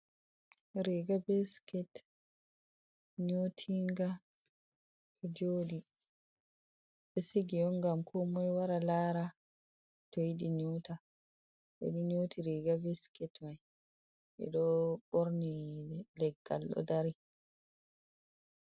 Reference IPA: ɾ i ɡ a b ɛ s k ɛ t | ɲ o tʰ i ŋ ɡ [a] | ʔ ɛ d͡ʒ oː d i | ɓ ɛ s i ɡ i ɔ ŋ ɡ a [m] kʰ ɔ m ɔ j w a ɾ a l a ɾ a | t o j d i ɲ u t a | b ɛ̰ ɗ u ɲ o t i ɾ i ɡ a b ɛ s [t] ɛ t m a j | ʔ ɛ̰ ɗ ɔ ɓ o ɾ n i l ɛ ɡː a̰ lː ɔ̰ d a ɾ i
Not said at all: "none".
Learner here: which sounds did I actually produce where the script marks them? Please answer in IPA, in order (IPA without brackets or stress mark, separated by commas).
a, m, k